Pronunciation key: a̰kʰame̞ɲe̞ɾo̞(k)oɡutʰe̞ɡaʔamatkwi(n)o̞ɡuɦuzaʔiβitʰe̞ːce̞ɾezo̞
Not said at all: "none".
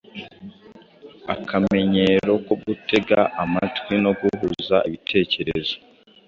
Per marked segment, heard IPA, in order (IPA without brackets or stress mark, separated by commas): k, n